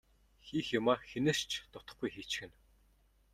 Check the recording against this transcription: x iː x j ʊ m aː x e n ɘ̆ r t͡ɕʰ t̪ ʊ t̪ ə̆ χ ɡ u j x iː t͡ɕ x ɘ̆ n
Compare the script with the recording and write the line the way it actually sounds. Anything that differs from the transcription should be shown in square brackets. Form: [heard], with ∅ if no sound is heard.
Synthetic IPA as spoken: x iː x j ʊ m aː x e n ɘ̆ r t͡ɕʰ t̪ ʊ t̪ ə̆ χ ɡ u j x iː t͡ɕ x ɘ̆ n